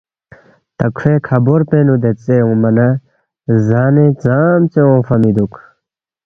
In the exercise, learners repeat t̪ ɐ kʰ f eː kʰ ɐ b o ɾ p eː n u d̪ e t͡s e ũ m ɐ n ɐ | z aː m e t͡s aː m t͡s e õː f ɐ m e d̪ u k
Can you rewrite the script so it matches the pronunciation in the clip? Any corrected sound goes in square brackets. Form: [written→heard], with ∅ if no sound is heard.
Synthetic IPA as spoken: t̪ ɐ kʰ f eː kʰ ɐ b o ɾ p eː n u d̪ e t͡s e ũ m ɐ n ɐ | z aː [m→n] e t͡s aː m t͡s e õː f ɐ m [e→i] d̪ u k